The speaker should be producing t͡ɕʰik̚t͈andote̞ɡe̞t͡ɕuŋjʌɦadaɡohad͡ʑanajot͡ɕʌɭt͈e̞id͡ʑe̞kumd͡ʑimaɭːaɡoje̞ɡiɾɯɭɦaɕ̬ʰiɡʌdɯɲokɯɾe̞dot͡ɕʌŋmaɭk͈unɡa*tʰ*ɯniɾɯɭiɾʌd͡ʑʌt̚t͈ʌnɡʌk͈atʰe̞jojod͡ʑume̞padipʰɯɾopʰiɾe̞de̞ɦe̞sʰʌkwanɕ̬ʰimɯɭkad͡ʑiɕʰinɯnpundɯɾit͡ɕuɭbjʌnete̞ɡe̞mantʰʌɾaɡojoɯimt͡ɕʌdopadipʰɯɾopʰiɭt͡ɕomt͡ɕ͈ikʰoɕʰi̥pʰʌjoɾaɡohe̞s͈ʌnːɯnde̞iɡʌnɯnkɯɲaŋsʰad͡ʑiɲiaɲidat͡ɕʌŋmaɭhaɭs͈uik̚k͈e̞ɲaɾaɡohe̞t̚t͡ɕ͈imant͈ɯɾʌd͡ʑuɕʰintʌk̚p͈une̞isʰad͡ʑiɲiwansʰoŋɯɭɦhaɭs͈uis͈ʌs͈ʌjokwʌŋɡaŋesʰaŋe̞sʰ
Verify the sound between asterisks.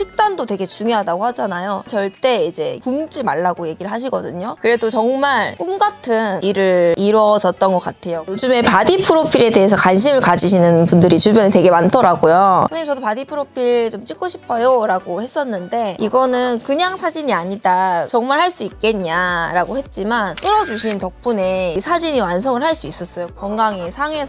correct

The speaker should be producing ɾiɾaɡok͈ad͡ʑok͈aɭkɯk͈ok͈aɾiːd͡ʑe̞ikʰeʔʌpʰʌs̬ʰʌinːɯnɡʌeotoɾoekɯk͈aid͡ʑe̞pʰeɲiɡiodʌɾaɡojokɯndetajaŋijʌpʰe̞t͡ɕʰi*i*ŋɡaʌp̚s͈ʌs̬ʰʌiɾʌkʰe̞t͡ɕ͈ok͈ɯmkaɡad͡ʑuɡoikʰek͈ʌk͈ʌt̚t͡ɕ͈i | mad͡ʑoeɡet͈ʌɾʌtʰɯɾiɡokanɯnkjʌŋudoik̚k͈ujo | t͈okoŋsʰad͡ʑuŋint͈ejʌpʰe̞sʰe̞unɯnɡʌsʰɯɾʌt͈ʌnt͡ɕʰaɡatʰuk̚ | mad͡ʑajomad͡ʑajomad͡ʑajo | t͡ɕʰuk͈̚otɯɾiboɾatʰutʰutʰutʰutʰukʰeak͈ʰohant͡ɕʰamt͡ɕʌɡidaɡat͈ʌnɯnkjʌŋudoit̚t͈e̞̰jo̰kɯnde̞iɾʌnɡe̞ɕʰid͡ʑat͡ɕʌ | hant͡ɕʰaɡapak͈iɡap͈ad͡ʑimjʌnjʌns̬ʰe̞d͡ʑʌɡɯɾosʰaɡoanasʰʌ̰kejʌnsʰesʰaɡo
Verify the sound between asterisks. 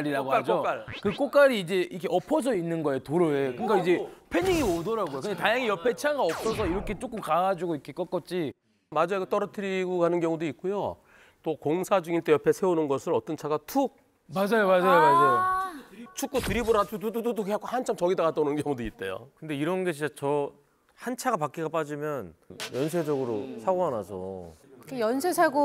incorrect: a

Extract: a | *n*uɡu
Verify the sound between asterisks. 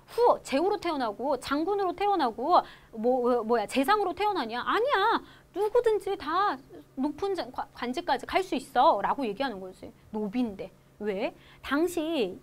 correct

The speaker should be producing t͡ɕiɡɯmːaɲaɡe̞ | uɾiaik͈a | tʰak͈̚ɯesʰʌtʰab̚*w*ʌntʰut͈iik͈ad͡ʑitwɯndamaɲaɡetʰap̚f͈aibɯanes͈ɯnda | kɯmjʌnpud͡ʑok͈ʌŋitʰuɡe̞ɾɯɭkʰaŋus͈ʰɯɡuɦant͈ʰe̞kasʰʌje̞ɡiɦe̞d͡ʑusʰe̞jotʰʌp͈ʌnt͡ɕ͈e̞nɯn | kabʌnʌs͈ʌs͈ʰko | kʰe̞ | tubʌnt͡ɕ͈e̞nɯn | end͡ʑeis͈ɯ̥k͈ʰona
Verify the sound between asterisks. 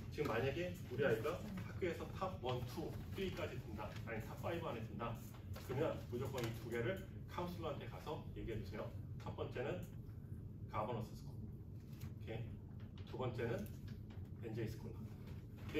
correct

